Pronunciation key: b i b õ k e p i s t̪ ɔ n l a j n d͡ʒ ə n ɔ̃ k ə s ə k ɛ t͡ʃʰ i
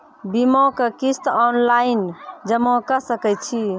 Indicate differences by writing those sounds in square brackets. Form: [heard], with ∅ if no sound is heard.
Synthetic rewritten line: b i [m] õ k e [k] i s t̪ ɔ n l a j n d͡ʒ ə [m] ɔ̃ k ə s ə k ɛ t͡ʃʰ i